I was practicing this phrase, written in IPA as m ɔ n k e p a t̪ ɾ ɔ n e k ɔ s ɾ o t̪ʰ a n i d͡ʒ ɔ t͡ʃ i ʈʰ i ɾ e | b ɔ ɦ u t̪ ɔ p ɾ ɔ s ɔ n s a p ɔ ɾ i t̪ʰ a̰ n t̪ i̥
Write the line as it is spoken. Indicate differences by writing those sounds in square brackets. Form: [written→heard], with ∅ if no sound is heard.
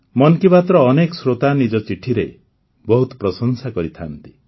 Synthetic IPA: m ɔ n k [e→i] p a t̪ ɾ [ɔ→ɔː] n e k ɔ s ɾ o [t̪ʰ→t̪] a n i d͡ʒ ɔ t͡ʃ i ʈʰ i ɾ e | b ɔ ɦ u t̪ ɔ p ɾ ɔ s ɔ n s a [p→k] ɔ ɾ i t̪ʰ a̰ n t̪ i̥